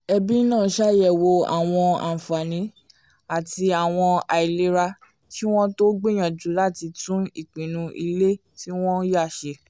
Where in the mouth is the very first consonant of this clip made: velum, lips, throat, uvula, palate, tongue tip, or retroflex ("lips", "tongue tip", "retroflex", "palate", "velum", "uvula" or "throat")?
lips